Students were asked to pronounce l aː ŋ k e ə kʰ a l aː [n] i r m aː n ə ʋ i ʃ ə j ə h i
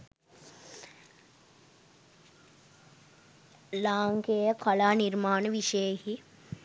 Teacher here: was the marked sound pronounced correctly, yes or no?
yes